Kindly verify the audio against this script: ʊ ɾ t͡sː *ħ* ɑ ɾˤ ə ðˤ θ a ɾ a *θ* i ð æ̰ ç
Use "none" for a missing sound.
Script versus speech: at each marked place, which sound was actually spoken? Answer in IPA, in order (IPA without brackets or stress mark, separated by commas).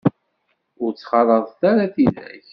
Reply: χ, θ